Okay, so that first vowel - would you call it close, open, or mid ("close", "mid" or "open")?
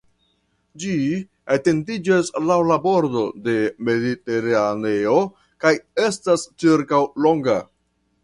close